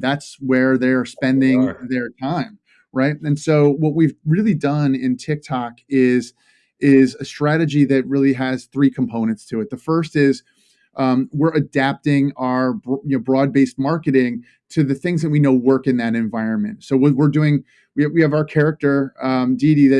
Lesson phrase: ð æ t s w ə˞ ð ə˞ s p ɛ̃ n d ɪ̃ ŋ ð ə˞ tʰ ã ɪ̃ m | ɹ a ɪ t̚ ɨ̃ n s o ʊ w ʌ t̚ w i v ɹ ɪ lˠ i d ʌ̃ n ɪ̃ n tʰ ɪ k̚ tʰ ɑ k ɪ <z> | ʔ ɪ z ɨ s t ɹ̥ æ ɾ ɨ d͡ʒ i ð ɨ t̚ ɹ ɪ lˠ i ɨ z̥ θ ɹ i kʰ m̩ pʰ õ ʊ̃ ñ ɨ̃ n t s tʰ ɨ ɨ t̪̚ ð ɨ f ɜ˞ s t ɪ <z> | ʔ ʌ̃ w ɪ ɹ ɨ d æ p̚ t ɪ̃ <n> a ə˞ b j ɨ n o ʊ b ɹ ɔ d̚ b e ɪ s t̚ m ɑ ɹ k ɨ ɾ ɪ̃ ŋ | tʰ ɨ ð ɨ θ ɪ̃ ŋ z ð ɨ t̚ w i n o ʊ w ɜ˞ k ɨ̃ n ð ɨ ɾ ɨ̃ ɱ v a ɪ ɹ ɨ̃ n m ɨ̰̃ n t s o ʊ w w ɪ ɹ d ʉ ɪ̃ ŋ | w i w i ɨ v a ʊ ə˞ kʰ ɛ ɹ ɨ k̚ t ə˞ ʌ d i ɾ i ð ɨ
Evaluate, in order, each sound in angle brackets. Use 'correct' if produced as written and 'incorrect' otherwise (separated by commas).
correct, correct, incorrect